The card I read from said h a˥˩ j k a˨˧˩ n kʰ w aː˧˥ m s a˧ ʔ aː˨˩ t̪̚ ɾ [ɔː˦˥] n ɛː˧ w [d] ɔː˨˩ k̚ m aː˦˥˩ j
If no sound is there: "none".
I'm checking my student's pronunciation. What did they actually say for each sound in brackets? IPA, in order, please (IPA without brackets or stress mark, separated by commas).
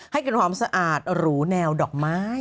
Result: uː˦˥, d